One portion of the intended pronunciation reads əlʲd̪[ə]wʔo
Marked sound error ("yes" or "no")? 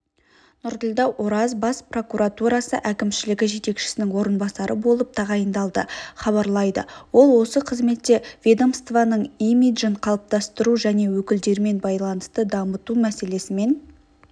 yes